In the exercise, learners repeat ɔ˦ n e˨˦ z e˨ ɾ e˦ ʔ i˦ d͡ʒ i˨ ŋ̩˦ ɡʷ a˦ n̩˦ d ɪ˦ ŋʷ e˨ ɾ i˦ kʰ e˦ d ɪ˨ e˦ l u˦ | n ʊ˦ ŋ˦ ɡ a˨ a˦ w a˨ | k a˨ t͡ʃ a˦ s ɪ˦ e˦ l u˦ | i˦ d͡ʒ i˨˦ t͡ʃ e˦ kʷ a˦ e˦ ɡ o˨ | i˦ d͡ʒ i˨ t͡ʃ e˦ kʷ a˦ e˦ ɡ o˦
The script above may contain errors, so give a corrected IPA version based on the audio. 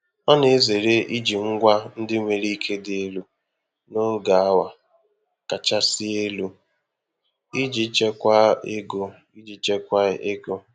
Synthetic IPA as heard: ɔ˦ n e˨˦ z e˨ ɾ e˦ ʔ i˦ d͡ʒ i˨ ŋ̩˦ ɡʷ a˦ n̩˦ d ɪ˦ ŋʷ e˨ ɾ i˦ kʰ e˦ d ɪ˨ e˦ l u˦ | n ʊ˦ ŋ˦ ɡ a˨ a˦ w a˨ | k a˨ t͡ʃ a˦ s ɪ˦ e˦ l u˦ | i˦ d͡ʒ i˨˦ t͡ʃ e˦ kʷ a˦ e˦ ɡ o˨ | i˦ d͡ʒ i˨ t͡ʃ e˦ kʷ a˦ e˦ ɡ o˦